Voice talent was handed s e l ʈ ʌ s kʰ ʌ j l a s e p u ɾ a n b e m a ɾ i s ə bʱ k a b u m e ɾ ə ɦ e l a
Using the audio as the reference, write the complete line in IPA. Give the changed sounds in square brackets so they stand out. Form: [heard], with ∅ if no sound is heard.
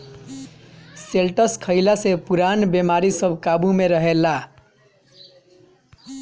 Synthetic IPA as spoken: s e l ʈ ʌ s kʰ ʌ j l a s e p u ɾ a n b e m a ɾ i s [ʌ] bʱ k a b u m e ɾ [ʌ] ɦ e l a

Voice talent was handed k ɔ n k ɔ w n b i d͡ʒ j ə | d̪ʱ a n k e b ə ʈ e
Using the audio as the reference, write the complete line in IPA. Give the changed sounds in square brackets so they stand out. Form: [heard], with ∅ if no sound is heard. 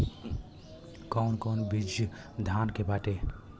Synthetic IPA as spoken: k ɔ n k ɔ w n b i d͡ʒ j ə | d̪ʱ a n k e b [a] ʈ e

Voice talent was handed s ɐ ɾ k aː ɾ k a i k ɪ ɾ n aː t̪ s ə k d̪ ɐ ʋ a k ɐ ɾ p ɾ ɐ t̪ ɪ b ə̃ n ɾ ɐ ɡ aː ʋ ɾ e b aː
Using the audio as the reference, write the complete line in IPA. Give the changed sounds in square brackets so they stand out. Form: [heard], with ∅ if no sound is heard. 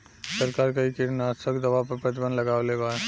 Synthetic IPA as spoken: s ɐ ɾ k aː ɾ k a i k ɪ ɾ n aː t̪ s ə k d̪ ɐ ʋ a [p] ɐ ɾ p ɾ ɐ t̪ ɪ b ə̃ n [l] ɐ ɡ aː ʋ [l] e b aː

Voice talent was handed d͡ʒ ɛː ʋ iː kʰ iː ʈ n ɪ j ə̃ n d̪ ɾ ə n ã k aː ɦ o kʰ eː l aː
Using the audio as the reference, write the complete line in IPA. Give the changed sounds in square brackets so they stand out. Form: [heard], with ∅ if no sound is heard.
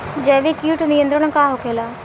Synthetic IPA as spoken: d͡ʒ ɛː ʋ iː [k] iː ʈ n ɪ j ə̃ n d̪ ɾ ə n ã k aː ɦ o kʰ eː l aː

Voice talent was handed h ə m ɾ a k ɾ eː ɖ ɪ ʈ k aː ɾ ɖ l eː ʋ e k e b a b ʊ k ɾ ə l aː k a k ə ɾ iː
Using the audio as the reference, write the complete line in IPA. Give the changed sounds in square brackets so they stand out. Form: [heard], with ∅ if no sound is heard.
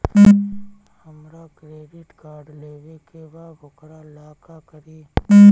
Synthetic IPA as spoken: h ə m ɾ a k ɾ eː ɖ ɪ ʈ k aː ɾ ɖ l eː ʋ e k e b a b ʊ k ɾ [a] l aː k a k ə ɾ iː

